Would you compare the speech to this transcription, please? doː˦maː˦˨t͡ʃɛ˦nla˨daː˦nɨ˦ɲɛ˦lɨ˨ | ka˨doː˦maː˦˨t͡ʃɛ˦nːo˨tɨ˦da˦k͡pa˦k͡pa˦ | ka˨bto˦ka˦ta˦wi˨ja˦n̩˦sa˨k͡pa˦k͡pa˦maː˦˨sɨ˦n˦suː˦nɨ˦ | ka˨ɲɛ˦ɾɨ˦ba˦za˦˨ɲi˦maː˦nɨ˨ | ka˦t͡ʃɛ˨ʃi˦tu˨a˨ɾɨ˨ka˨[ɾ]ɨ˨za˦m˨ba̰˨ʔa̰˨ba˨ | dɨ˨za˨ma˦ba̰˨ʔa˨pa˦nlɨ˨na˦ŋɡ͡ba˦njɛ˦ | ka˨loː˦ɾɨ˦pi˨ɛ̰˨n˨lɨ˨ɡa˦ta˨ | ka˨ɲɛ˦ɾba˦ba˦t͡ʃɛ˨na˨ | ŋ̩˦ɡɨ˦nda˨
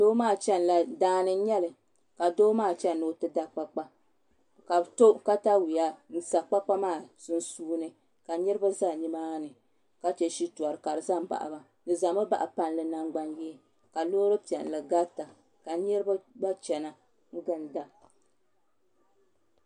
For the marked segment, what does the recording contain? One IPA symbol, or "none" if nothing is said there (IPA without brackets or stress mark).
ɾ